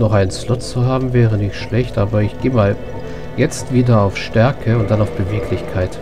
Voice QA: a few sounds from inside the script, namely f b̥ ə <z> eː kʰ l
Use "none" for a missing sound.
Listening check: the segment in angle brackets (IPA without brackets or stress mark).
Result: v